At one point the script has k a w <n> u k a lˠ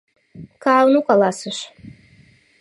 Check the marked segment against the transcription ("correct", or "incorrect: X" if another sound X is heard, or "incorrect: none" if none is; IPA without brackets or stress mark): correct